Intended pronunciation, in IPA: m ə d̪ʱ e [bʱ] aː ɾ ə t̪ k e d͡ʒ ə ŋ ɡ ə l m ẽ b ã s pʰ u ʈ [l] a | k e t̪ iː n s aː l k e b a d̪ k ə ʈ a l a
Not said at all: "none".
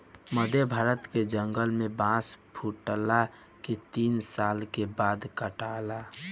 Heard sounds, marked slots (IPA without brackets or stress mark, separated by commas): bʱ, l